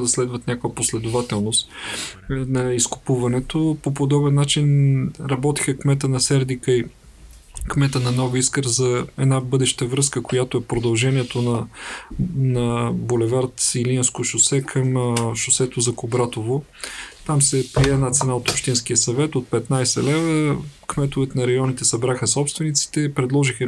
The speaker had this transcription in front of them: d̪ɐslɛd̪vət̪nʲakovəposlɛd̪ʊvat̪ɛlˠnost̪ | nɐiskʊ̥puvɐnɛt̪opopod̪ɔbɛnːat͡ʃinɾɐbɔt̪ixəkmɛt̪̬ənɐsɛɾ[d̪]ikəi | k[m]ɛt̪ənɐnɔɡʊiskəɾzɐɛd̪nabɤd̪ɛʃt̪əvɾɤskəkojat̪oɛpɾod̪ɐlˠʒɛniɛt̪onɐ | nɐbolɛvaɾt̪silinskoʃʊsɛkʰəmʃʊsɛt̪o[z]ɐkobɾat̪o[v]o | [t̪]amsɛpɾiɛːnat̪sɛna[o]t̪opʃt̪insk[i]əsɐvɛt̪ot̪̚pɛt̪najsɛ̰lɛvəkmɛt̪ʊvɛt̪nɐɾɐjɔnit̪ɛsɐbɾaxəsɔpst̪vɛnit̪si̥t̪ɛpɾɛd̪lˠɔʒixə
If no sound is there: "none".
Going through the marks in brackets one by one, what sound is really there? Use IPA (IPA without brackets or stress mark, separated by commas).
d̪, m, z, v, t̪, o, i